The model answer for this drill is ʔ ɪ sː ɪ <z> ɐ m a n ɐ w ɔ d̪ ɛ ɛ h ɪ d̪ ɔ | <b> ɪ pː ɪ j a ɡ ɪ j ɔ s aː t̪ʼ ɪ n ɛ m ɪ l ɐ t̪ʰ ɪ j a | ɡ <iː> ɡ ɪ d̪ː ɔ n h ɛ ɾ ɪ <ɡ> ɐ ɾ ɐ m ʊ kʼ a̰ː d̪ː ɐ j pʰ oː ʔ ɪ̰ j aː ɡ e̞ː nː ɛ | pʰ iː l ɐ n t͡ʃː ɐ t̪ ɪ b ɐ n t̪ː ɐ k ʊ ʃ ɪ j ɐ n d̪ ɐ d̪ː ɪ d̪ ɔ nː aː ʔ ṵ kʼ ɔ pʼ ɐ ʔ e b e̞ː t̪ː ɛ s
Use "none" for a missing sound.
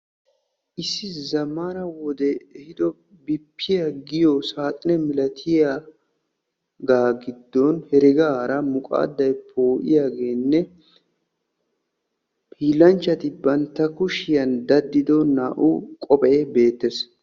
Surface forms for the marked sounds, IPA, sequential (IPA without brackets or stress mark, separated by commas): z, b, aː, ɡ